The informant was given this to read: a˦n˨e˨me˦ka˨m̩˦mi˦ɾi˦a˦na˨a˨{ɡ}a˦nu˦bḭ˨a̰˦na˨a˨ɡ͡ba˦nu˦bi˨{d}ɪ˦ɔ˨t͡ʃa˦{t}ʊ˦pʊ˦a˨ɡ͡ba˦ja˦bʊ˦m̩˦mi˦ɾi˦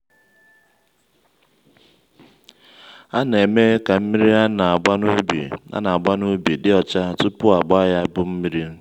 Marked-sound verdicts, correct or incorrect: incorrect, correct, correct

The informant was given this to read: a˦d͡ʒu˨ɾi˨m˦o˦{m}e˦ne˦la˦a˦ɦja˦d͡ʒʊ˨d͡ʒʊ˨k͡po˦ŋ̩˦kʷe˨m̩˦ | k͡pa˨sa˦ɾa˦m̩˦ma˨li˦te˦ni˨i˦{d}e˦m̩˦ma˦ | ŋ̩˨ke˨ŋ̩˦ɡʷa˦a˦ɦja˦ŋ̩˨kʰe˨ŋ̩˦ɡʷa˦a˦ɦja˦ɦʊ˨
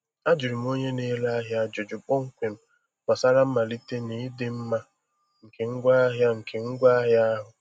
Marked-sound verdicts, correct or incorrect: incorrect, correct

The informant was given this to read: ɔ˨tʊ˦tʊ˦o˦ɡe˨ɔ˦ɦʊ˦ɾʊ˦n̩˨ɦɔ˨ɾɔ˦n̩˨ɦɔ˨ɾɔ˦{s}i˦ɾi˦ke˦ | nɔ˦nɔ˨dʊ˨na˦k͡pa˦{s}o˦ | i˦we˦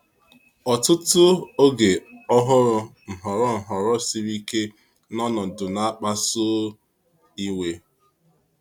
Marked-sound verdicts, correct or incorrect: correct, correct

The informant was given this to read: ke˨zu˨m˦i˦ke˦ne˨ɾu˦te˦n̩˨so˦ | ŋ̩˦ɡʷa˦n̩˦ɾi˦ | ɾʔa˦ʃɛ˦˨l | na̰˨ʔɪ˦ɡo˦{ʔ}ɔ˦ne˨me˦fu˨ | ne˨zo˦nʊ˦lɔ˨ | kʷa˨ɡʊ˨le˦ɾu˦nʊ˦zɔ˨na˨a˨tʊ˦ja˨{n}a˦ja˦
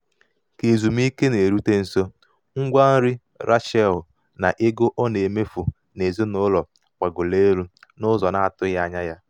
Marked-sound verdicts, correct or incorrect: correct, incorrect

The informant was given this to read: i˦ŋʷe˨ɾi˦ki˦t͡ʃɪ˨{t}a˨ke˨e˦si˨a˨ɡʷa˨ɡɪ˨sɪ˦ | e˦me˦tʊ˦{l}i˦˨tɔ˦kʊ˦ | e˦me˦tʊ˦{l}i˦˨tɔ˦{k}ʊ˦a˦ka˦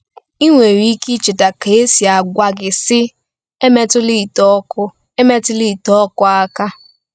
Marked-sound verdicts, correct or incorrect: correct, correct, correct, correct

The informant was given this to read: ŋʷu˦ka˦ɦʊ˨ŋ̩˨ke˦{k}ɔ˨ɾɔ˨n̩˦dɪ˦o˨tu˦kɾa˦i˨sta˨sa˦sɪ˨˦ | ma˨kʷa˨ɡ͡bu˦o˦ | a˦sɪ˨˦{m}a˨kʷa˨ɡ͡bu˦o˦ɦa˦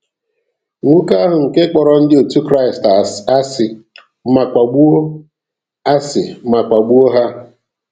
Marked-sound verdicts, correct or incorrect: incorrect, correct

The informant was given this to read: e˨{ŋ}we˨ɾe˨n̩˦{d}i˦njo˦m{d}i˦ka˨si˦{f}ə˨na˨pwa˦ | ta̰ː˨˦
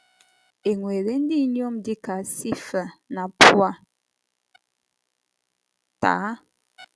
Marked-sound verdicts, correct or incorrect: correct, correct, correct, correct

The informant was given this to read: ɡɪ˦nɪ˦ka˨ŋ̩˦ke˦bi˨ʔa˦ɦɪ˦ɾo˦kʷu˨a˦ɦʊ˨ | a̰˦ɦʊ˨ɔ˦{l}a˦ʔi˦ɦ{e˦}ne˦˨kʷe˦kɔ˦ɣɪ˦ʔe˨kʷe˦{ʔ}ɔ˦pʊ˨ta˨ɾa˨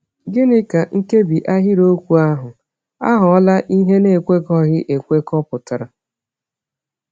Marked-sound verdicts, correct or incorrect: correct, correct, incorrect

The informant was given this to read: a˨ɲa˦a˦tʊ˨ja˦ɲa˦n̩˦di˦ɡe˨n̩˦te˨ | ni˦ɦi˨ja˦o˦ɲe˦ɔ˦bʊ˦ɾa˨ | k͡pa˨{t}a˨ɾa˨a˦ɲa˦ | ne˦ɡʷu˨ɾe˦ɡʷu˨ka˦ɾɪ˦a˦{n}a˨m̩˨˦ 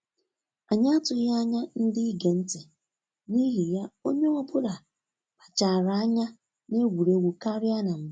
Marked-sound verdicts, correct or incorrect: incorrect, correct

